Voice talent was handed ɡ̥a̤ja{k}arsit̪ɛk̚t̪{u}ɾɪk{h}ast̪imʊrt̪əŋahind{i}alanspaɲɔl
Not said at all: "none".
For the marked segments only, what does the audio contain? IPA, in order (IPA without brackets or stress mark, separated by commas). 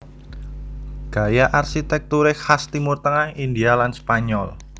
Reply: ʔ, u, h, i